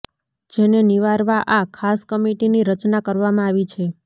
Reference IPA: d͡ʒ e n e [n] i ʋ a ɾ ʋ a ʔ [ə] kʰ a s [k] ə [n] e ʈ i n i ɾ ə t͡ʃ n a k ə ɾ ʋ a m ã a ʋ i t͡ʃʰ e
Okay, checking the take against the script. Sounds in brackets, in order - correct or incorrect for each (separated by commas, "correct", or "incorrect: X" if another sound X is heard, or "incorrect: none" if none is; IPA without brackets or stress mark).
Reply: correct, incorrect: a, correct, incorrect: m